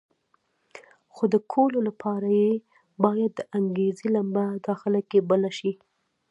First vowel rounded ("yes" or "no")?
yes